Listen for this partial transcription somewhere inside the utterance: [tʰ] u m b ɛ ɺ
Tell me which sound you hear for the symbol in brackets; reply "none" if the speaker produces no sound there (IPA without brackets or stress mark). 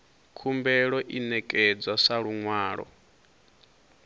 kʰ